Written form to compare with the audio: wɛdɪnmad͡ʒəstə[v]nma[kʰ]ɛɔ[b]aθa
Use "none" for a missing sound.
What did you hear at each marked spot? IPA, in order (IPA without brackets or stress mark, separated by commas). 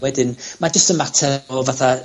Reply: none, tʰ, v